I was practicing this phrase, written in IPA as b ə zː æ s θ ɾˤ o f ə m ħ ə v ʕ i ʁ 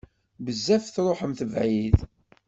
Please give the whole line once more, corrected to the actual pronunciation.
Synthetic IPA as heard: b ə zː æ f θ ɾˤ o ħ ə m θ ə v ʕ i ð